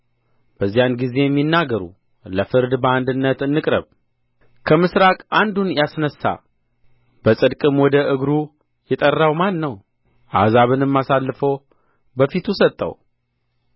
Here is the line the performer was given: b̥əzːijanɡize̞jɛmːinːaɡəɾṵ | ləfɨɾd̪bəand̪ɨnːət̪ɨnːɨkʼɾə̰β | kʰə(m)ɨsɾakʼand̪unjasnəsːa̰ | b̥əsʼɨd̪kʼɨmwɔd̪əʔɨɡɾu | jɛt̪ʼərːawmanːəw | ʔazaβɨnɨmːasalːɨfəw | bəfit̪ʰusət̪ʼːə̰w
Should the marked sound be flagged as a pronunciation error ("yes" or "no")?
no